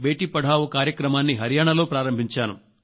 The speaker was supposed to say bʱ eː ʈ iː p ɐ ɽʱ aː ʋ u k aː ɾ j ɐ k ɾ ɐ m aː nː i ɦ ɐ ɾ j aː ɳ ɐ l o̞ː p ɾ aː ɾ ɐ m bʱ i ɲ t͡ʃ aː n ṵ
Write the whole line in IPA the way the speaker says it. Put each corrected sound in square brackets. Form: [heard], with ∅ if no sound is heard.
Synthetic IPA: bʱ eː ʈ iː p ɐ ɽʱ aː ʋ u k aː ɾ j ɐ k ɾ ɐ m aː nː i ɦ ɐ ɾ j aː ɳ ɐ l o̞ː p ɾ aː ɾ ɐ m bʱ i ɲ t͡ʃ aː n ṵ